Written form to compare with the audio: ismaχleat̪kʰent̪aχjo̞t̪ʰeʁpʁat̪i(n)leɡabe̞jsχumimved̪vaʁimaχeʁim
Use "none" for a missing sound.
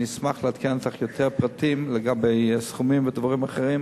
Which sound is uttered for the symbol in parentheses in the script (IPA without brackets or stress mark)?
m